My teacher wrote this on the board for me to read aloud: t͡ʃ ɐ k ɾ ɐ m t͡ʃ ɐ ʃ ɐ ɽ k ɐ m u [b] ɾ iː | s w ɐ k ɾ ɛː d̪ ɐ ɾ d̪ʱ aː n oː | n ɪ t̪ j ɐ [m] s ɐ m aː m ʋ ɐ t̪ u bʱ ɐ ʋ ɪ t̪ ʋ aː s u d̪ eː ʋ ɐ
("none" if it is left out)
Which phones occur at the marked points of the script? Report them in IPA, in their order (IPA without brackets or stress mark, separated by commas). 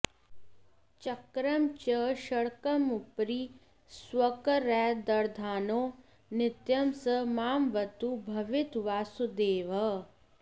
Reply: p, m